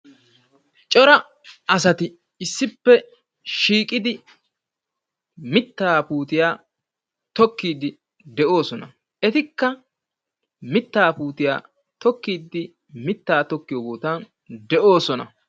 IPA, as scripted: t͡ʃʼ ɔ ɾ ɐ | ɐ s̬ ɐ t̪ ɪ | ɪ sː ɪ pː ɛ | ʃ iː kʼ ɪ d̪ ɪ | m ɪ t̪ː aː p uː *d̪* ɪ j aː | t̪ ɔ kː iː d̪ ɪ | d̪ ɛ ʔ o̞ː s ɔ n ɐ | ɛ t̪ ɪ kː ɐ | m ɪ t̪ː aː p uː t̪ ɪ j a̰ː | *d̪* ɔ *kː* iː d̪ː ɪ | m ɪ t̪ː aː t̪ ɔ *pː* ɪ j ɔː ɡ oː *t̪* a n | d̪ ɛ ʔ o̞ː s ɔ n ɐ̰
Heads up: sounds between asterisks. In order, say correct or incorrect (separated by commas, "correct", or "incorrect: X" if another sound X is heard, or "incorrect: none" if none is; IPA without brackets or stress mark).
incorrect: t̪, incorrect: t̪, correct, incorrect: kː, correct